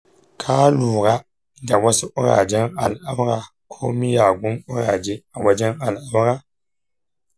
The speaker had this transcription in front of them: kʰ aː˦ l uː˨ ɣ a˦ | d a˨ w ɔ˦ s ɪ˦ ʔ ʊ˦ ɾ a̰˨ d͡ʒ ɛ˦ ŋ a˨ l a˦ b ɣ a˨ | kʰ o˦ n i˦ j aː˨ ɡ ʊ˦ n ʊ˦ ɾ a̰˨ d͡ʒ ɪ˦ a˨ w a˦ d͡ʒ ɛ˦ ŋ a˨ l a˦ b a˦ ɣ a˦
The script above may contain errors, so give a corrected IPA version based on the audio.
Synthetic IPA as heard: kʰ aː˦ l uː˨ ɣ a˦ | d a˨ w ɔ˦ s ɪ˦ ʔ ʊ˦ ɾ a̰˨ d͡ʒ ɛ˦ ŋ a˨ l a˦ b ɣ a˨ | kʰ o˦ m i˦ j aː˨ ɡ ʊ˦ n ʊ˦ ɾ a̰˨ d͡ʒ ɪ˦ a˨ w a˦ d͡ʒ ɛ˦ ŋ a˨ l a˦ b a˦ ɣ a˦